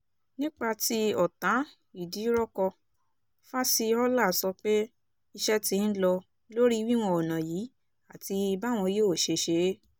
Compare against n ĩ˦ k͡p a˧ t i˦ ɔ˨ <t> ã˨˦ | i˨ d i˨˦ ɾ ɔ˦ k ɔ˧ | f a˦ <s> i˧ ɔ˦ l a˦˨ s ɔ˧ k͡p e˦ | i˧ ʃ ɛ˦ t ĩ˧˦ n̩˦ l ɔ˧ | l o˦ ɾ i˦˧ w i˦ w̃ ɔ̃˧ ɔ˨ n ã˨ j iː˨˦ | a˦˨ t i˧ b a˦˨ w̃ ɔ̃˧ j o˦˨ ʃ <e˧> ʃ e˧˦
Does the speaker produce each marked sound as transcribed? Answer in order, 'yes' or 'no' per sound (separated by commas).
yes, yes, yes